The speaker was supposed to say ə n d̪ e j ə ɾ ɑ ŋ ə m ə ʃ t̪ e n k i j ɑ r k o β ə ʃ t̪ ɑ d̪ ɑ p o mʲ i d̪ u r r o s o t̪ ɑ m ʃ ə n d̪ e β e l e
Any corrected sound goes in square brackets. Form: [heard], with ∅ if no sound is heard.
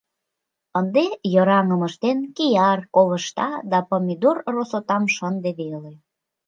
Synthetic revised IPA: ə n d̪ e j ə ɾ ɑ ŋ ə m ə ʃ t̪ e n k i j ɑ r k o β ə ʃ t̪ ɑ d̪ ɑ p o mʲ i d̪ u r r o s o t̪ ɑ m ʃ ə n d̪ e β e l e